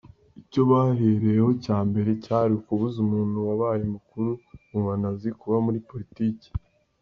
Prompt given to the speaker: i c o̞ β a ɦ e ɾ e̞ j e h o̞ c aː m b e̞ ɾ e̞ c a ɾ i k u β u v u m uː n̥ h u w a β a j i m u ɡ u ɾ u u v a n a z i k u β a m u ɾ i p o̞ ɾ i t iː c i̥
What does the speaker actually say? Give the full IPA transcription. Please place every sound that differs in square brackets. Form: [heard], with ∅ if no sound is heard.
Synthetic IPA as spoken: i c o̞ β a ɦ e ɾ e̞ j e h o̞ c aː m b e̞ ɾ e̞ c a ɾ i k u β u [z] u m uː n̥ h u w a β a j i m u [k] u ɾ u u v a n a z i k u β a m u ɾ i p o̞ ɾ i t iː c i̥